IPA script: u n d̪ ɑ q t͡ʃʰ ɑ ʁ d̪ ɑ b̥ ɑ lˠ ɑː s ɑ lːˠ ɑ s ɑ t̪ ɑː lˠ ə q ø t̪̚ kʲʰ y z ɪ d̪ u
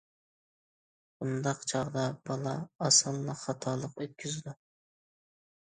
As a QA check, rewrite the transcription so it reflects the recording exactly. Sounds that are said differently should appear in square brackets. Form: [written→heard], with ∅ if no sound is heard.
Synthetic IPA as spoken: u n d̪ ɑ q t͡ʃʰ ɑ ʁ d̪ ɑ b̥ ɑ lˠ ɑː s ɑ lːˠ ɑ [s→χ] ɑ [t̪→t̪ʰ] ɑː lˠ ə q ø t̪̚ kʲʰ y z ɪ d̪ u